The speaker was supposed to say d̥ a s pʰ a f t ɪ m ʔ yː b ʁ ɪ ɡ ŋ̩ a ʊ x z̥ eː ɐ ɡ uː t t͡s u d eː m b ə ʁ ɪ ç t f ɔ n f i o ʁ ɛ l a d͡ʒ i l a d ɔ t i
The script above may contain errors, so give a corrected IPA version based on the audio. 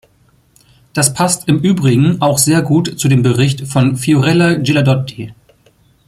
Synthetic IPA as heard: d̥ a s pʰ a s t ɪ m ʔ yː b ʁ ɪ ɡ ŋ̩ a ʊ x z̥ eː ɐ ɡ uː t t͡s u d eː m b ə ʁ ɪ ç t f ɔ n f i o ʁ ɛ l a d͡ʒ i l a d ɔ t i